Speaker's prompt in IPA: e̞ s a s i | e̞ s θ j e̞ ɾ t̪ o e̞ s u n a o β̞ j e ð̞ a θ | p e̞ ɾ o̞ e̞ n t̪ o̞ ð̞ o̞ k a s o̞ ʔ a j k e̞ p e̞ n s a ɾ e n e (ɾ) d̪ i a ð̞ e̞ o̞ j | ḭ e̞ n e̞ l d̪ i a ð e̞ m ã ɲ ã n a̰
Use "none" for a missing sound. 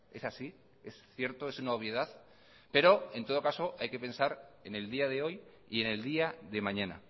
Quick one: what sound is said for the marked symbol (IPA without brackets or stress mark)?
l